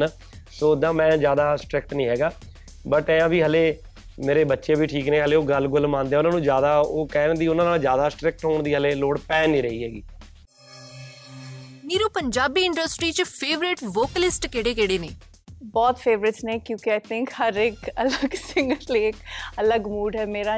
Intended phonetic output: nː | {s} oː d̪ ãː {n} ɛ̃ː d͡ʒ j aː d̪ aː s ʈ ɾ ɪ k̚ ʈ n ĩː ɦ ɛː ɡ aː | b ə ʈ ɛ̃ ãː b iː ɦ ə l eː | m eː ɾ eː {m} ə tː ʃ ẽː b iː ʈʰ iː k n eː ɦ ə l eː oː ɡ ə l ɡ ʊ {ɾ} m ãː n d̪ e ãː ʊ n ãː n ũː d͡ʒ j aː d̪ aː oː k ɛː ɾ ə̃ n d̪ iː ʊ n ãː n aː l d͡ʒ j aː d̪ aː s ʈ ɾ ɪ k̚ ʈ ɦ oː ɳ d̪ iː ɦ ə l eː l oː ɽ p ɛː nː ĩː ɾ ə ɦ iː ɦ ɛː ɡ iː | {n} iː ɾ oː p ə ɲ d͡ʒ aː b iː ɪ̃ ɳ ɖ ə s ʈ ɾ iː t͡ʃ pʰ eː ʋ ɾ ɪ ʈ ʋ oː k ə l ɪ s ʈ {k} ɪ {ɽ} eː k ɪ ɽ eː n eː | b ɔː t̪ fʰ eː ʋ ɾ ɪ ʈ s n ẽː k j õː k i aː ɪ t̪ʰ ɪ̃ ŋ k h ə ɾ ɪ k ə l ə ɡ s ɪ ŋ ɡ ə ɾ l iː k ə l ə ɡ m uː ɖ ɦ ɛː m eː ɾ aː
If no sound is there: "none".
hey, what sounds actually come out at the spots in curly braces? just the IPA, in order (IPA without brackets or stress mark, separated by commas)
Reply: s, m, b, l, n, k, ɽ